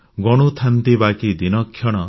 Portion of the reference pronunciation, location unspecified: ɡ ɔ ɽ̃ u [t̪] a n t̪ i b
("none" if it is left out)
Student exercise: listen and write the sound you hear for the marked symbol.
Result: t̪ʰ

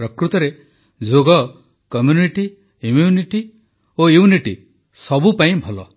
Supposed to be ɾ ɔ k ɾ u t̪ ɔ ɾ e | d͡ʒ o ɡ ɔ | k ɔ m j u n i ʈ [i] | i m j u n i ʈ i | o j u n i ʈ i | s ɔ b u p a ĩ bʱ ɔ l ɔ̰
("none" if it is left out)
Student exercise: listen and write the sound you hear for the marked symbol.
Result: i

